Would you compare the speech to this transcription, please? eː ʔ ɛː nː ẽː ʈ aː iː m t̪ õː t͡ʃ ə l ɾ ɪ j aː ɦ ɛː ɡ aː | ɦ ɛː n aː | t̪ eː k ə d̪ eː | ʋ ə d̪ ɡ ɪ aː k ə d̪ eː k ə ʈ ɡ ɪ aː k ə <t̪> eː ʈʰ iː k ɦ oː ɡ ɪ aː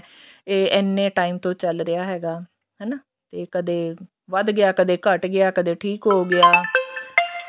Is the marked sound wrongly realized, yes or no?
yes